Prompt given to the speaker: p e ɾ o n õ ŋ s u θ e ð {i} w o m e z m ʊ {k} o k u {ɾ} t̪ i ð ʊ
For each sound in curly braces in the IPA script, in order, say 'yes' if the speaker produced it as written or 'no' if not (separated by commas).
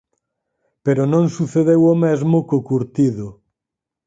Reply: no, yes, yes